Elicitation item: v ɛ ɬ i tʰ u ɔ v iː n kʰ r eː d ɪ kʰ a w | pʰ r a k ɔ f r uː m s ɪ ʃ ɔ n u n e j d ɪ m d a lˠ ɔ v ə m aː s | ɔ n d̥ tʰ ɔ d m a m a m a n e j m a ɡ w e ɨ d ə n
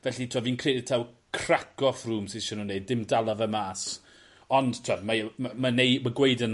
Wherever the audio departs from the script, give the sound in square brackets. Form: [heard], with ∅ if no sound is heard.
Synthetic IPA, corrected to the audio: v ɛ ɬ i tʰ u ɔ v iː n kʰ r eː d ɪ [tʰ] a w | [kʰ] r a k ɔ f r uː m s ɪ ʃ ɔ n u n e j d ɪ m d a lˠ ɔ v ə m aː s | ɔ n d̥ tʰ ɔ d m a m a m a n e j m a ɡ w e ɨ d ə n

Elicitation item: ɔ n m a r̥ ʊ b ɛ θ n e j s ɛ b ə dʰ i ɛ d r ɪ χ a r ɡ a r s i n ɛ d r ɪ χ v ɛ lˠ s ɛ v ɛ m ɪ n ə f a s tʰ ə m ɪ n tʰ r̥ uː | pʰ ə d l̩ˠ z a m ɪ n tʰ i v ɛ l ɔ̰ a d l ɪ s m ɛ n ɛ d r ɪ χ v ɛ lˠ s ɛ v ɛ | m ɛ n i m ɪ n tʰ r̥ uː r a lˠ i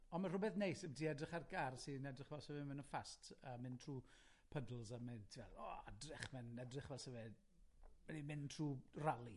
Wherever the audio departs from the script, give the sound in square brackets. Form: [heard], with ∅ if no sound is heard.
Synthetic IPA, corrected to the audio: ɔ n m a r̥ ʊ b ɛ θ n e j s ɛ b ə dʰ i ɛ d r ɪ χ a r ɡ a r s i n ɛ d r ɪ χ v ɛ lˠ s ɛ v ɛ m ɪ n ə f a s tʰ ə m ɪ n tʰ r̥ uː | pʰ ə d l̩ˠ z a m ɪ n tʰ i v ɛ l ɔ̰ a d [r] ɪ [χ] m ɛ n ɛ d r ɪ χ v ɛ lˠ s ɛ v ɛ | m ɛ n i m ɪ n tʰ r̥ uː r a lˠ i

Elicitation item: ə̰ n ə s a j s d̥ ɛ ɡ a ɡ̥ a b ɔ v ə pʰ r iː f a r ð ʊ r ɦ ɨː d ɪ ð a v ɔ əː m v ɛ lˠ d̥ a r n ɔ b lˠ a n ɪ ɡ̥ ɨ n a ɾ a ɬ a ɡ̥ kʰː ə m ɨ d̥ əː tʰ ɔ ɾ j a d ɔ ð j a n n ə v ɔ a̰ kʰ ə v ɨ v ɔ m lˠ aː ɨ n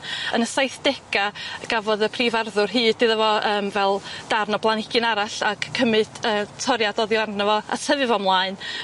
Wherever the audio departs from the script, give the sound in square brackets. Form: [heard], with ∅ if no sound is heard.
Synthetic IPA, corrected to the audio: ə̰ n ə s a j [θ] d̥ ɛ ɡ a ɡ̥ a [v] ɔ [ð] ə pʰ r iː [v] a r ð ʊ r ɦ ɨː d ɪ ð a v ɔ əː m v ɛ lˠ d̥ a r n ɔ b lˠ a n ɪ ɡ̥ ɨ n a ɾ a ɬ a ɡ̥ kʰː ə m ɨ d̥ əː tʰ ɔ ɾ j a d ɔ ð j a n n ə v ɔ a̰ [tʰ] ə v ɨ v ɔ m lˠ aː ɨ n

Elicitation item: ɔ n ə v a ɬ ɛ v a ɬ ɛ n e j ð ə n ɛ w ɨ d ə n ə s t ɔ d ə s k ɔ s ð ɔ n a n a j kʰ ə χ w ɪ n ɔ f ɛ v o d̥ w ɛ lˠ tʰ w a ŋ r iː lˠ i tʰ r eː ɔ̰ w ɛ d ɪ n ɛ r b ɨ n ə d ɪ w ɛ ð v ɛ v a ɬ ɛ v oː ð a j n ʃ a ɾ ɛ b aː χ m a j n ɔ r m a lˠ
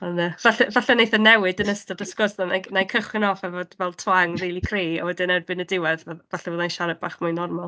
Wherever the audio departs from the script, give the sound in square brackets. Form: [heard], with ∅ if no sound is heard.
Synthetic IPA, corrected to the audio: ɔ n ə v a ɬ ɛ v a ɬ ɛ n e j [θ] ə n ɛ w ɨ d ə n ə s t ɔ d ə s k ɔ s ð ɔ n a n a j kʰ ə χ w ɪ n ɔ f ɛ v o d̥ [v] ɛ lˠ tʰ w a ŋ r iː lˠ i [kʰ] r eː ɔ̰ w ɛ d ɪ n ɛ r b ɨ n ə d ɪ w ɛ ð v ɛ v a ɬ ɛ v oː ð a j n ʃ a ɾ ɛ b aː χ m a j n ɔ r m a lˠ

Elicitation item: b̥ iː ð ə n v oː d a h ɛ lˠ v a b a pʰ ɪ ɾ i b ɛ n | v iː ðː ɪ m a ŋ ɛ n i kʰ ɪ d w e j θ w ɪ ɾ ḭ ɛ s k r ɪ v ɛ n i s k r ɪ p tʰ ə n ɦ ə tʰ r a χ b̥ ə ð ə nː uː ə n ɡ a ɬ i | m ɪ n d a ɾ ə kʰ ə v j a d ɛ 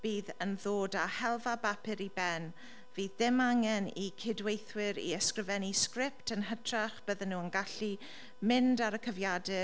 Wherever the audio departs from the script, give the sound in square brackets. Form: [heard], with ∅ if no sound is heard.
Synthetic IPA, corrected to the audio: b̥ iː ð ə n [ð] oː d a h ɛ lˠ v a b a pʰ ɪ ɾ i b ɛ n | v iː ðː ɪ m a ŋ ɛ n i kʰ ɪ d w e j θ w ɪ ɾ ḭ ɛ s k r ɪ v ɛ n i s k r ɪ p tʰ ə n ɦ ə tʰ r a χ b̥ ə ð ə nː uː ə n ɡ a ɬ i | m ɪ n d a ɾ ə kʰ ə v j a d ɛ

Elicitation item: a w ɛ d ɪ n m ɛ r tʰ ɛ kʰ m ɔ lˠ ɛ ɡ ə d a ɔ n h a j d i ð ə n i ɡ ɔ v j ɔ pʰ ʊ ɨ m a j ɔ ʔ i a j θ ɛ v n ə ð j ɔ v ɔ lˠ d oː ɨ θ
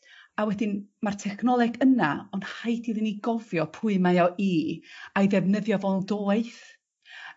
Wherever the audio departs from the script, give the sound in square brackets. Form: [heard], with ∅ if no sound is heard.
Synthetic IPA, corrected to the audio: a w ɛ d ɪ n m [a] r tʰ ɛ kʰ [n] ɔ lˠ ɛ ɡ ə [n] a ɔ n h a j d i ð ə n i ɡ ɔ v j ɔ pʰ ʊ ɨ m a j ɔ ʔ i a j [ð] ɛ v n ə ð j ɔ v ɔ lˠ d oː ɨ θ

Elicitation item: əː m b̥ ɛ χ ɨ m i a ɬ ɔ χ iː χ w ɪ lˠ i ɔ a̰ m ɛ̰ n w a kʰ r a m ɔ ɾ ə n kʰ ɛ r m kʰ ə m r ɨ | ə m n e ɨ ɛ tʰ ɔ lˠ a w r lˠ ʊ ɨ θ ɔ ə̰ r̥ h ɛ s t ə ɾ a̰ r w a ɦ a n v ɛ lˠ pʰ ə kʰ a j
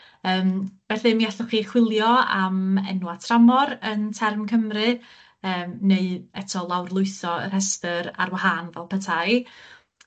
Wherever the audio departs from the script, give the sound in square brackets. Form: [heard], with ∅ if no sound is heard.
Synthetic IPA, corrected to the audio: əː m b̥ ɛ [θ] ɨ m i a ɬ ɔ χ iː χ w ɪ lˠ [j] ɔ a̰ m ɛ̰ n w a [tʰ] r a m ɔ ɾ ə n [tʰ] ɛ r m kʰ ə m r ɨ | [əː] m n e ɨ ɛ tʰ ɔ lˠ a w r lˠ ʊ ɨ θ ɔ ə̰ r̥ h ɛ s t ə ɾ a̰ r w a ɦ a n v ɛ lˠ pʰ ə [tʰ] a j

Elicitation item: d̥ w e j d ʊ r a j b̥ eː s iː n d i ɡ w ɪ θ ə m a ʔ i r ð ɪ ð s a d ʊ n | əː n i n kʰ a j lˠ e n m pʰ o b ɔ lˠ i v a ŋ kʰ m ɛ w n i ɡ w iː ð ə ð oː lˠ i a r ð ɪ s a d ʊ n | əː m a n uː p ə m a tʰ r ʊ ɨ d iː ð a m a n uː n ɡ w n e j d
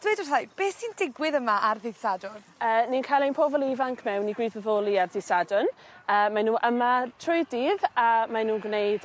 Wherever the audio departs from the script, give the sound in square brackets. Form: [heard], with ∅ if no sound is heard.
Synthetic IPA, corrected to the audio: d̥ w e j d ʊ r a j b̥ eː s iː n d [ɪ] ɡ w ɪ [ð] ə m a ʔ [a] r ð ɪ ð s a d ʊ n | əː n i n kʰ a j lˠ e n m pʰ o [v] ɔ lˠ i v a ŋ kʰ m ɛ w n i ɡ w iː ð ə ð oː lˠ i a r ð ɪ s a d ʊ n | əː m a n uː [ʔ] ə m a tʰ r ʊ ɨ d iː ð a m a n uː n ɡ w n e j d

